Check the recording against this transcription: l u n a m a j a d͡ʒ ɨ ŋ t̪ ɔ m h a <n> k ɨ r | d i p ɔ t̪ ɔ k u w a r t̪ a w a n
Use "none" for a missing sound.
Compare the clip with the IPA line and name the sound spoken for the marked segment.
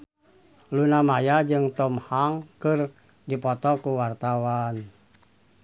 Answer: ŋ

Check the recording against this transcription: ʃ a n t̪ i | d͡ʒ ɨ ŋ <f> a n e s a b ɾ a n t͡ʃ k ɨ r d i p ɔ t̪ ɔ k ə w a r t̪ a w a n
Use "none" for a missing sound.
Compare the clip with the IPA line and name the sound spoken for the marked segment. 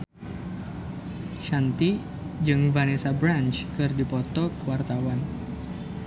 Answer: v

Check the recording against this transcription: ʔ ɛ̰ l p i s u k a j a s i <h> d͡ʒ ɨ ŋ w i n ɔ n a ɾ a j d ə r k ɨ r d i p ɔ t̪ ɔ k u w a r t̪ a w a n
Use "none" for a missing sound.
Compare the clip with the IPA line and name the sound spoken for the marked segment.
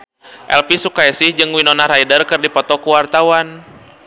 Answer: h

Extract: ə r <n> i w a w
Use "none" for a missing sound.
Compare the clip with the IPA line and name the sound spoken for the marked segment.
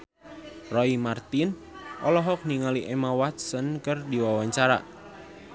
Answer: d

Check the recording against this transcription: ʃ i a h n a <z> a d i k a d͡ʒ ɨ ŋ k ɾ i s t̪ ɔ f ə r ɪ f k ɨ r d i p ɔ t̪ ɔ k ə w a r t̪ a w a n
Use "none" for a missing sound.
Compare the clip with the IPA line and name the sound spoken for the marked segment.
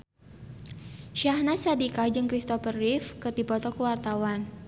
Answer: s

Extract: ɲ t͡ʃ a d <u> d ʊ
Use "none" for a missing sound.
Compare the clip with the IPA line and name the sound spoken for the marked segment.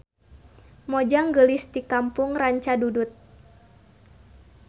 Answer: u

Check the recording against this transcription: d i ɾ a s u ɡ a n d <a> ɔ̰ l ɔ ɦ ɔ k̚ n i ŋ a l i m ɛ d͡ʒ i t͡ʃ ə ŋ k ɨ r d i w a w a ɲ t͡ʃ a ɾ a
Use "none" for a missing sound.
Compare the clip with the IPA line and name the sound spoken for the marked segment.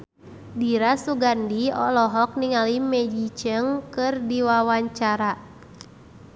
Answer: i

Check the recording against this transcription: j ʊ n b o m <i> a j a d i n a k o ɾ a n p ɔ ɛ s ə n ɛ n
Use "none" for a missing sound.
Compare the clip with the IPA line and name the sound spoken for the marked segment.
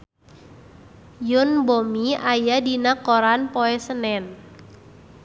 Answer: i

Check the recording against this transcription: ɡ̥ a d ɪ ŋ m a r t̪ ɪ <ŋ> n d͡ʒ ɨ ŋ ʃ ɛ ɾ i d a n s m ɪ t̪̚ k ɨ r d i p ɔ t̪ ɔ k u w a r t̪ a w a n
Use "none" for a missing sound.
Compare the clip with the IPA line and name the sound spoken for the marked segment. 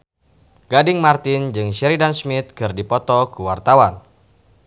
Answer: none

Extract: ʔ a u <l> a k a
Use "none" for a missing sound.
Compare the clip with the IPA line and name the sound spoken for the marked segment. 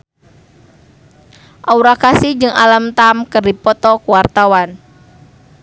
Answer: ɾ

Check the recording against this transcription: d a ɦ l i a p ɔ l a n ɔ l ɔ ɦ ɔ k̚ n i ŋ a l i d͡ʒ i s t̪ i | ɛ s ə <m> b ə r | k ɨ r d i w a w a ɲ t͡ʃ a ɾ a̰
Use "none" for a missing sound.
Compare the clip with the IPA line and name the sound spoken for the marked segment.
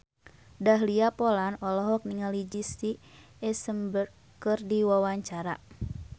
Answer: m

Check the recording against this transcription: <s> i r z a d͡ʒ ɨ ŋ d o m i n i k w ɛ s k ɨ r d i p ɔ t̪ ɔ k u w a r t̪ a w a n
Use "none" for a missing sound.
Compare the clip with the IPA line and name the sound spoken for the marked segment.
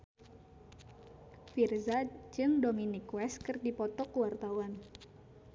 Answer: f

